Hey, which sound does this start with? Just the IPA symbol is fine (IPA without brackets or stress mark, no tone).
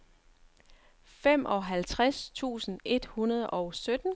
f